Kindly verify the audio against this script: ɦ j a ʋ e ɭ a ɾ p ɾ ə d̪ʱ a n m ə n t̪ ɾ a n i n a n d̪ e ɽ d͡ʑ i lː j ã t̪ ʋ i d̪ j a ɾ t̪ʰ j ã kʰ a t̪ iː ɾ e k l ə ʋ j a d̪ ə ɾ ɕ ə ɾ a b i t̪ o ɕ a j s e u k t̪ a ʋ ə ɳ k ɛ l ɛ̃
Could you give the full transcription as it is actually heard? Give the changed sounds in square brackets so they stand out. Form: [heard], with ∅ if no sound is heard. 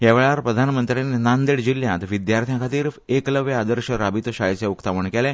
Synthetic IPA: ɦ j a ʋ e ɭ a ɾ p ɾ ə d̪ʱ a n m ə n t̪ ɾ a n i n a n d̪ e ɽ d͡ʑ i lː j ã t̪ ʋ i d̪ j a ɾ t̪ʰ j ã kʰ a t̪ iː ɾ e k l ə ʋ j a d̪ ə ɾ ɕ ə ɾ a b i t̪ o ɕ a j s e u k t̪ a ʋ ə ɳ k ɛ l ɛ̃